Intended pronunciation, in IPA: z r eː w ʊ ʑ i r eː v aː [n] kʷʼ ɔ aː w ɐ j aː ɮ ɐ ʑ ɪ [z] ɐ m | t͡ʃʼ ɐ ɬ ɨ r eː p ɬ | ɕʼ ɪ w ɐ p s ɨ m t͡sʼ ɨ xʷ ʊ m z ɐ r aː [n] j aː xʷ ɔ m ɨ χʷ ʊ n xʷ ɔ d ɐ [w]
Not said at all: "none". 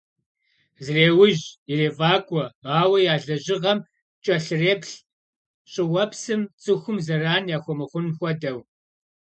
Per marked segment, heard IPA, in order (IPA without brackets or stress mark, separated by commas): none, ʁ, n, w